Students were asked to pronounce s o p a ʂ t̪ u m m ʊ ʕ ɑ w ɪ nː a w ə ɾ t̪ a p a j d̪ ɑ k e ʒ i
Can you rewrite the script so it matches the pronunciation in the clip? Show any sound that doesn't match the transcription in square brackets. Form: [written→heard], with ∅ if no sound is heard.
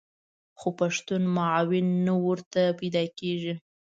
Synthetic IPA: [s→x] o p a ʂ t̪ u [m→n] m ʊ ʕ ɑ w ɪ nː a w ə ɾ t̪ a p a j d̪ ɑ k e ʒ i